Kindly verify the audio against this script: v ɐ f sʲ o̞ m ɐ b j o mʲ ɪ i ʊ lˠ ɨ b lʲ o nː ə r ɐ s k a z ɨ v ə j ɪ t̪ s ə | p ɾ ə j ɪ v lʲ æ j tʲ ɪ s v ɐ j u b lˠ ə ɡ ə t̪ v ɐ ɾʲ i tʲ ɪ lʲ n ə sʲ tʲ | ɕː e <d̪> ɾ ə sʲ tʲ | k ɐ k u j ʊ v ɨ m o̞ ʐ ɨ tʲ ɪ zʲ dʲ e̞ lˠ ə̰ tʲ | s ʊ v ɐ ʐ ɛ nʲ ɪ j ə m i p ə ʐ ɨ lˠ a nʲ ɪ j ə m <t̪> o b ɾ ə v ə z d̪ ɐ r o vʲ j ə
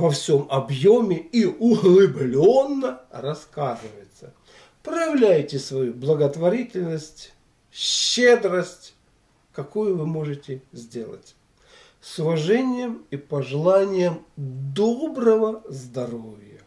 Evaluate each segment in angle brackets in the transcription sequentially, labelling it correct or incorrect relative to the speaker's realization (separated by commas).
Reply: correct, incorrect